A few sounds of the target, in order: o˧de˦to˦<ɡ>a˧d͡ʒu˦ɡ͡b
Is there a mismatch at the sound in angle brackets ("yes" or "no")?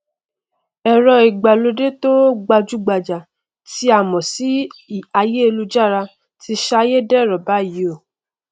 yes